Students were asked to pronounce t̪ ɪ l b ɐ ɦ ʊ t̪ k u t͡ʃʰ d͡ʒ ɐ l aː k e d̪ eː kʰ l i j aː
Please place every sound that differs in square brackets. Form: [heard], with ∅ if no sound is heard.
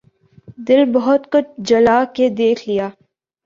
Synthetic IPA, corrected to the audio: [d̪] ɪ l b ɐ ɦ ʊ t̪ k [ʊ] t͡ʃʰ d͡ʒ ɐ l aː k e d̪ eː kʰ l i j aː